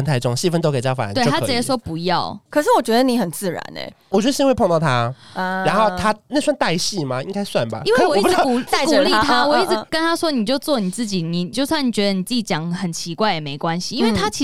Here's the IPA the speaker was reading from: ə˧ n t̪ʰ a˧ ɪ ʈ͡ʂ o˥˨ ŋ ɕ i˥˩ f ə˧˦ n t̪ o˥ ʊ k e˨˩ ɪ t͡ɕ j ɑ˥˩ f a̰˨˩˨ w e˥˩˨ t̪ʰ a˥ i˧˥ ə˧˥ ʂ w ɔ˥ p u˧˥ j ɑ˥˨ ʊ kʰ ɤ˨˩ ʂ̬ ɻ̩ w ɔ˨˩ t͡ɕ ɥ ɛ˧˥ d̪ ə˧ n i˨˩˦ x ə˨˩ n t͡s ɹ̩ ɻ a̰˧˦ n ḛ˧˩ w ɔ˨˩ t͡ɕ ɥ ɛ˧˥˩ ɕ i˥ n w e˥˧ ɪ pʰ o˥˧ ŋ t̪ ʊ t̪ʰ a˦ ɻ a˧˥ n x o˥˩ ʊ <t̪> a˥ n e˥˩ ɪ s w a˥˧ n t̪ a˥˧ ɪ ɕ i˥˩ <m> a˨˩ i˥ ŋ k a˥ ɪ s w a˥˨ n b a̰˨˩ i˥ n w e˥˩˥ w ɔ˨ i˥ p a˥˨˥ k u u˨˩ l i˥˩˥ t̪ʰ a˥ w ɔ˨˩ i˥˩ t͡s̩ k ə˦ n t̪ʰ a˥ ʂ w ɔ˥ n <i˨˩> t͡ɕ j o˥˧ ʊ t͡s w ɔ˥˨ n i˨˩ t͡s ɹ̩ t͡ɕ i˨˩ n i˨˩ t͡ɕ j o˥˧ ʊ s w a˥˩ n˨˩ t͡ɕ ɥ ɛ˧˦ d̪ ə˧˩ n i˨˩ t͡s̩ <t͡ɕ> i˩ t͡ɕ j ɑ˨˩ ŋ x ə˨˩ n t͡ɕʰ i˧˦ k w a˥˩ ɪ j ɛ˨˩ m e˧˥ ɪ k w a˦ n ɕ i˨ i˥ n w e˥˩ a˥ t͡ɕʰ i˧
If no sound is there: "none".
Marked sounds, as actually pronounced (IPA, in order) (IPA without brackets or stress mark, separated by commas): t̪ʰ, m, i˨˩, t͡ɕ